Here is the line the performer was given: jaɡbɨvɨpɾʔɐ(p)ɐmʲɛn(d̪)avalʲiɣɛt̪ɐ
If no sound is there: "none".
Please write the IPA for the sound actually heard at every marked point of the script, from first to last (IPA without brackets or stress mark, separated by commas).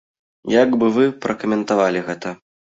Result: k, t̪